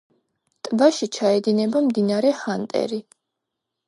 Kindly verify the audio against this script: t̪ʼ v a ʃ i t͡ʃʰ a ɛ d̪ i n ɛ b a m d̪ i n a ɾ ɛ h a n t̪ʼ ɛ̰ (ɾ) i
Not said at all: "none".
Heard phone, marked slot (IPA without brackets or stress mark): ɾ